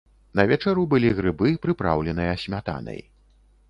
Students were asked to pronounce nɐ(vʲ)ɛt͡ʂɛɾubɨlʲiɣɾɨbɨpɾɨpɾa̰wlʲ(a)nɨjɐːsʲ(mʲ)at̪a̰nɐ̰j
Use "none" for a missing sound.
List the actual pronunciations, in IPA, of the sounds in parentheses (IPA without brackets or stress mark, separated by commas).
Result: vʲ, ɛ, mʲ